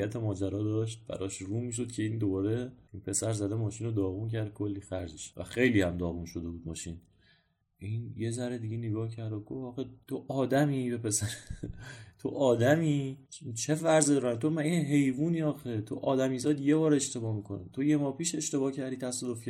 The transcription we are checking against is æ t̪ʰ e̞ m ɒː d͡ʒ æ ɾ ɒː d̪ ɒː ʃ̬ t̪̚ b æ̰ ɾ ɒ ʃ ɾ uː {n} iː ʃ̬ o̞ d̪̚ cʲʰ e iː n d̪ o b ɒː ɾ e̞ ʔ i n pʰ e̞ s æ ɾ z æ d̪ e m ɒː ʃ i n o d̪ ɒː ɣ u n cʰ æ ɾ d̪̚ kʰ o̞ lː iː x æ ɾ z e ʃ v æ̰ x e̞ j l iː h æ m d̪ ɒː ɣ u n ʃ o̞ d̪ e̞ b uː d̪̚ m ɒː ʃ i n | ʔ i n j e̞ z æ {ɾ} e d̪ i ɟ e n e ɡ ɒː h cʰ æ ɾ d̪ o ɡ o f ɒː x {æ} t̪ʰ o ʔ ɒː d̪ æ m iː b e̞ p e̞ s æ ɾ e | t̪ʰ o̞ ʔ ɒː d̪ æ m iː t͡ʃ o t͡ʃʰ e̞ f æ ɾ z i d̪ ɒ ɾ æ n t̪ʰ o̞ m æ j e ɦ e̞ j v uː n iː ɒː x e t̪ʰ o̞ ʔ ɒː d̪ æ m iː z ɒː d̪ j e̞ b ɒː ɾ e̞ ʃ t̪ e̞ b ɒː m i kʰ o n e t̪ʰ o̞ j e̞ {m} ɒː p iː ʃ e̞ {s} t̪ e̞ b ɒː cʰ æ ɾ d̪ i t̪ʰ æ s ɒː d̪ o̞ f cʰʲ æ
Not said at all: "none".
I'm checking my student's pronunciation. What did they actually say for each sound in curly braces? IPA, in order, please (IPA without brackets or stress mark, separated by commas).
m, ɾ, e, m, ʃ